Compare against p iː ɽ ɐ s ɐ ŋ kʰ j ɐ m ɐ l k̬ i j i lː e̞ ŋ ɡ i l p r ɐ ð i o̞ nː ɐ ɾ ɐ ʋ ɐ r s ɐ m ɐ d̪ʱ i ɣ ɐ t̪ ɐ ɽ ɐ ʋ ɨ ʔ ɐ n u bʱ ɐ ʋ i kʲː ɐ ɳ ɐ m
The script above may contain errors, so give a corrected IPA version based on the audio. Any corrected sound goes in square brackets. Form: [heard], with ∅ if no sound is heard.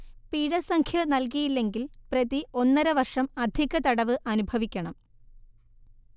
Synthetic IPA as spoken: p iː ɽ ɐ s ɐ ŋ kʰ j ɐ [n] ɐ l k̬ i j i lː e̞ ŋ ɡ i l p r ɐ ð i o̞ nː ɐ ɾ ɐ ʋ ɐ r [ʂ] ɐ m ɐ d̪ʱ i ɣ ɐ t̪ ɐ ɽ ɐ ʋ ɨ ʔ ɐ n u bʱ ɐ ʋ i kʲː ɐ ɳ ɐ m